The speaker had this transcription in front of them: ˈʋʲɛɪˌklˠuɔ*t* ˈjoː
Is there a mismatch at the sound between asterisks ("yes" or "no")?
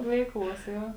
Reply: yes